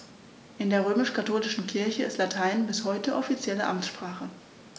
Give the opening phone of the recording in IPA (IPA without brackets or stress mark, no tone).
ʔ